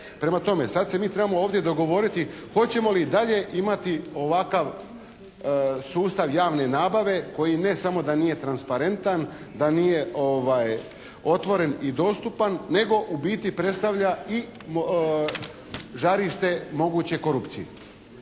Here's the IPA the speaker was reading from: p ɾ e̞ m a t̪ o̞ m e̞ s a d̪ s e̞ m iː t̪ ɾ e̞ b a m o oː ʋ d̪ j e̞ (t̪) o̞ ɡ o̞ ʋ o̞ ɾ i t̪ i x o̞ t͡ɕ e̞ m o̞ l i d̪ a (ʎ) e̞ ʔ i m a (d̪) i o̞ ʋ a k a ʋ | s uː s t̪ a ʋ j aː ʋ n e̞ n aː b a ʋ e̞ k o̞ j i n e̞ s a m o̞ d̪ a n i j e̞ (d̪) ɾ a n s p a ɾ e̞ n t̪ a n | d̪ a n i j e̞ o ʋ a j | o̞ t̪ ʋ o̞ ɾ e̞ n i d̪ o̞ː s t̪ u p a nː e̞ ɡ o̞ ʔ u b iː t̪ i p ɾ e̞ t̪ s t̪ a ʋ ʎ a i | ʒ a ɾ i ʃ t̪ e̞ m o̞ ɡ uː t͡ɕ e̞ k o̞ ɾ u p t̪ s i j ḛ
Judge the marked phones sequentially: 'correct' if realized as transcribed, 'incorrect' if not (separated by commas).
incorrect, correct, incorrect, incorrect